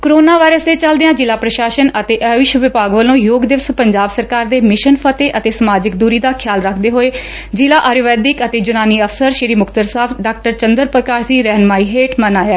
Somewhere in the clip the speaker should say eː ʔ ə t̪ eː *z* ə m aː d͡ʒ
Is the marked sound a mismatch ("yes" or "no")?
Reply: yes